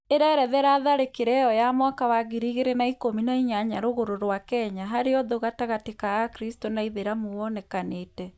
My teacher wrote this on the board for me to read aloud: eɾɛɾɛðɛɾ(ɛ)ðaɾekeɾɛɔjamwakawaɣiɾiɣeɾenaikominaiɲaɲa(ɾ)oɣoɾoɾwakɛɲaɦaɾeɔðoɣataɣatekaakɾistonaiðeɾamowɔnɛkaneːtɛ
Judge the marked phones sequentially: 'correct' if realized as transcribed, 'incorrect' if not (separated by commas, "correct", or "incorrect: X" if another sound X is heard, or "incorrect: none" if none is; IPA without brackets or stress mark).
incorrect: a, correct